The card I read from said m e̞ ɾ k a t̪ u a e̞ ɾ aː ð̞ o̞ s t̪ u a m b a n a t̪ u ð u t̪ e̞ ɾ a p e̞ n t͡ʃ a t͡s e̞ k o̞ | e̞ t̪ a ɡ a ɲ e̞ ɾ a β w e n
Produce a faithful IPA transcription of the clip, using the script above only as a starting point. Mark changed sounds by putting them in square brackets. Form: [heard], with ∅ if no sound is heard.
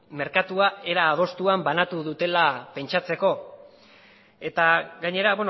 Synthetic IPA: m e̞ ɾ k a t̪ u a e̞ ɾ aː ð̞ o̞ s t̪ u a m b a n a t̪ u ð u t̪ e̞ [l] a p e̞ n t͡ʃ a t͡s e̞ k o̞ | e̞ t̪ a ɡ a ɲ e̞ ɾ a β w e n